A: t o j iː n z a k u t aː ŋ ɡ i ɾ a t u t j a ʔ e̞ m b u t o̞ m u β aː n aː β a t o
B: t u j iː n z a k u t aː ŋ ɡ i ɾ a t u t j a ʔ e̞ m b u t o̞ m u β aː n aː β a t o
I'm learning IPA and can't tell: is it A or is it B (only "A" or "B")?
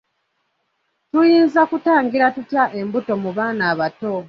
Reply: B